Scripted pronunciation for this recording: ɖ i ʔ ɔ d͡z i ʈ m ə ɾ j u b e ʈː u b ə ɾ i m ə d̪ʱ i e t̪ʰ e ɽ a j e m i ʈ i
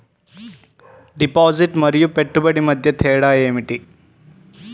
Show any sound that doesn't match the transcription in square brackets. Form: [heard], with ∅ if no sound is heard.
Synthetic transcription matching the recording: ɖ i [p] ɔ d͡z i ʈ m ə ɾ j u [p] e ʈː u b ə [ɽ] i m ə d̪ʱ [j] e t̪ʰ e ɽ a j e m i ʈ i